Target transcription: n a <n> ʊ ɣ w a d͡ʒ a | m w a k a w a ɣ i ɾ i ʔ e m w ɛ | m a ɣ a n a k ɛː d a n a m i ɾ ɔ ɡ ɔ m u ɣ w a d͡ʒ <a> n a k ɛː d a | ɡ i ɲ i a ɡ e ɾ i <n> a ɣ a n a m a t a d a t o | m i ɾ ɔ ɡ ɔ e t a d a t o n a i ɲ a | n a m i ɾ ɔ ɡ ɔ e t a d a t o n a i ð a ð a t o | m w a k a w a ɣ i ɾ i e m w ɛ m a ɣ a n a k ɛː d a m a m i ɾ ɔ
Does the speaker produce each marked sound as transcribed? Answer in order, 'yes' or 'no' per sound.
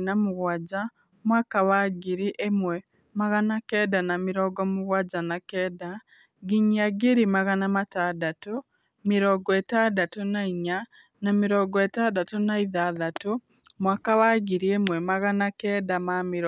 no, yes, no

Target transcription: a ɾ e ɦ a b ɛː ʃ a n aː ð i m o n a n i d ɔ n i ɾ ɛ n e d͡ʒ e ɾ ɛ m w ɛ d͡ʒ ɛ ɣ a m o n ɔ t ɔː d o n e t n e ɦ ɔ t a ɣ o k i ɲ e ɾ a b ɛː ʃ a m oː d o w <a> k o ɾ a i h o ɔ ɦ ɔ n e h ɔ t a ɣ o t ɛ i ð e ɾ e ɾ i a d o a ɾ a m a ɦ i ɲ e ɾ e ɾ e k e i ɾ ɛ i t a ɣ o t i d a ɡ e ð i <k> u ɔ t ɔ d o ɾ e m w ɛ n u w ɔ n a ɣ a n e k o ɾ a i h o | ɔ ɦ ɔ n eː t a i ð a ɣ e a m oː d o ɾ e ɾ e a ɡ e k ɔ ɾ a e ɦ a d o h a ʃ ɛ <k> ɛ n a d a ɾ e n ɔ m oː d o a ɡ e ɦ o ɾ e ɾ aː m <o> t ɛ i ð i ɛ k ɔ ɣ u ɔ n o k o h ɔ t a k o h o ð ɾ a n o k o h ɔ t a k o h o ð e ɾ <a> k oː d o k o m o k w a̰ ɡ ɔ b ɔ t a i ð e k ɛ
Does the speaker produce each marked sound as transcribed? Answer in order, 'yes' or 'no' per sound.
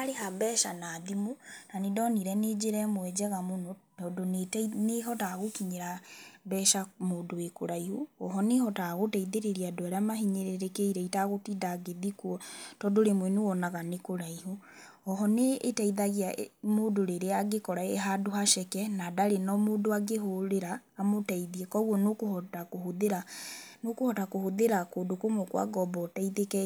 no, yes, yes, yes, yes

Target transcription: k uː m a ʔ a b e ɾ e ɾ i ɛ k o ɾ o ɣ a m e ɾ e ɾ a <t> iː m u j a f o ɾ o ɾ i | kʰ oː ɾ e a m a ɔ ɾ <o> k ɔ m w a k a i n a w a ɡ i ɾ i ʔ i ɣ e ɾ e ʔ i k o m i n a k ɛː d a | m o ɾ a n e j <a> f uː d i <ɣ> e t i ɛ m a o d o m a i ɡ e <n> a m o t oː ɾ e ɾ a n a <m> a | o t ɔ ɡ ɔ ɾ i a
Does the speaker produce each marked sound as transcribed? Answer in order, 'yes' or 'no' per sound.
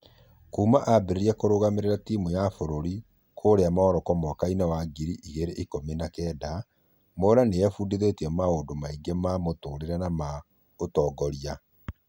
yes, no, no, no, no, yes

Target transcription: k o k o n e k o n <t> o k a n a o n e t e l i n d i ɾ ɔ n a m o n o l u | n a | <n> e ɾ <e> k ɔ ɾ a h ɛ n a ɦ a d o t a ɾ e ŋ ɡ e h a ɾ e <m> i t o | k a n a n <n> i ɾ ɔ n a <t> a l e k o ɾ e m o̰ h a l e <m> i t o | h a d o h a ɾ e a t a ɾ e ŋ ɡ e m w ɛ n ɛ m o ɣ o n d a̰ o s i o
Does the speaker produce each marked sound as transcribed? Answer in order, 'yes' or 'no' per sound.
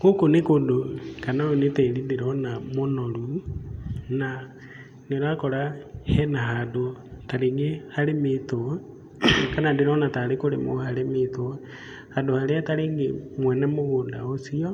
no, yes, no, yes, no, yes, yes

